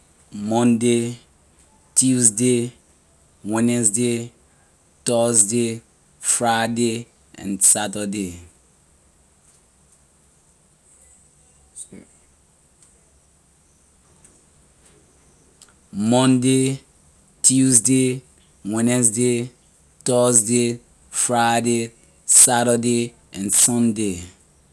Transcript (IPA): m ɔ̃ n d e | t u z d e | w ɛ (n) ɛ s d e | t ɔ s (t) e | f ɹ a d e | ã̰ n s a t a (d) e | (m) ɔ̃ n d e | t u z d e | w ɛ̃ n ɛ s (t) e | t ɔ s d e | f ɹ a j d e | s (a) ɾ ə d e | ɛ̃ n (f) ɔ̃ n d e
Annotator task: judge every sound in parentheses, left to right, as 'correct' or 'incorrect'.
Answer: correct, incorrect, correct, correct, incorrect, correct, incorrect

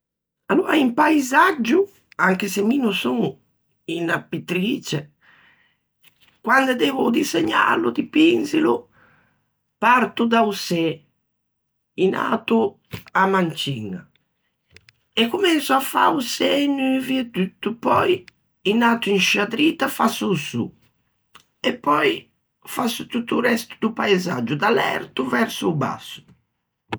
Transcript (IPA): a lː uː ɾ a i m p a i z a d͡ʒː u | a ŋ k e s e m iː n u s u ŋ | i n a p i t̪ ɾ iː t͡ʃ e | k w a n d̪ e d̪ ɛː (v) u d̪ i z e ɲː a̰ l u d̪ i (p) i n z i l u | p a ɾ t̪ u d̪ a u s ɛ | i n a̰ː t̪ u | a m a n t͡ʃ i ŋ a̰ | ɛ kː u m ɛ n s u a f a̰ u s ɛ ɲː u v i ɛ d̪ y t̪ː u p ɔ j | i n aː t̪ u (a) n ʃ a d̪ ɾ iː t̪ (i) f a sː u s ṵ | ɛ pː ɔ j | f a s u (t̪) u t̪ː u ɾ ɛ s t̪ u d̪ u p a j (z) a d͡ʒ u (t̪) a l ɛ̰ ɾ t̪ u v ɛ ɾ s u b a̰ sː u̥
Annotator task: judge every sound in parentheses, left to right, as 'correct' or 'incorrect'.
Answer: correct, correct, incorrect, incorrect, correct, correct, incorrect

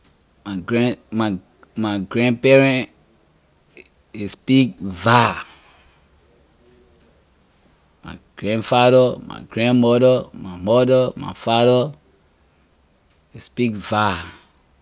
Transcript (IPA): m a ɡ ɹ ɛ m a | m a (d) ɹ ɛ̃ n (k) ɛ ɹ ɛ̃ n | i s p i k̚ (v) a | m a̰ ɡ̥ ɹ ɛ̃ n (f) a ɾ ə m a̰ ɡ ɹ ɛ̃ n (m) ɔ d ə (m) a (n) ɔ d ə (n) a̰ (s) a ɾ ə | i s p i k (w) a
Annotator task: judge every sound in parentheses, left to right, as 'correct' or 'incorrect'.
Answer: incorrect, incorrect, correct, correct, correct, correct, incorrect, incorrect, incorrect, incorrect

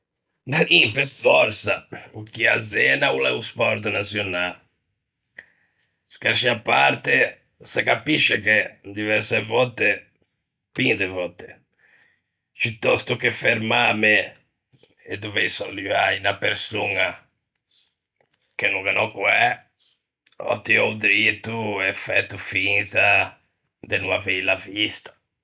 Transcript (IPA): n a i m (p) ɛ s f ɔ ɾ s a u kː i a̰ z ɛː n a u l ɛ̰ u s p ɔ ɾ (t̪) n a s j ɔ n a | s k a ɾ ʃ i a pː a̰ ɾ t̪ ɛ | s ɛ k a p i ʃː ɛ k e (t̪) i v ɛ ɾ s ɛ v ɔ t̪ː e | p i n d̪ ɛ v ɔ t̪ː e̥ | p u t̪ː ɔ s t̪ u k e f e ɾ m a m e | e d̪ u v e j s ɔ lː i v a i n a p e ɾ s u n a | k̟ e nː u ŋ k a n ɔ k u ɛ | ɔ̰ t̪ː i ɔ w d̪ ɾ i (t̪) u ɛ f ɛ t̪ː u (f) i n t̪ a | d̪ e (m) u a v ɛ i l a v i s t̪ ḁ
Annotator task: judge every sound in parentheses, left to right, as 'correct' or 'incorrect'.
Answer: correct, correct, incorrect, correct, correct, incorrect

